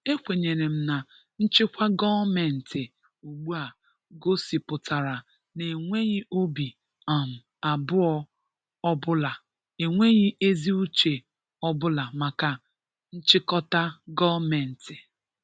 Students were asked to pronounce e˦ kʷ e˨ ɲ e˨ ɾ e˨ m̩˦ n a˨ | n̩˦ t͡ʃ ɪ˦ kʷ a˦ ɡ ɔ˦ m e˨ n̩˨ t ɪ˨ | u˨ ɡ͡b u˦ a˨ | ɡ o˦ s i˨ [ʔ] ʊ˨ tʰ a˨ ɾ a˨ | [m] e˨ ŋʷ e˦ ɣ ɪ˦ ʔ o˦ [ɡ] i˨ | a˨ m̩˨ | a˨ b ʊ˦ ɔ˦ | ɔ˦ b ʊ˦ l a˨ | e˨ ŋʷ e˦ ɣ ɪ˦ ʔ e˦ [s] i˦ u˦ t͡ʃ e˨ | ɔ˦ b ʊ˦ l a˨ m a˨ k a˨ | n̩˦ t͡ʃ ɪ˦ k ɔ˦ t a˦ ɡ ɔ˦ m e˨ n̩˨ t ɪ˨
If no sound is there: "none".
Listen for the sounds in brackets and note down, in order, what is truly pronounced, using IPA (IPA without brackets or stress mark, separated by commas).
p, n, b, z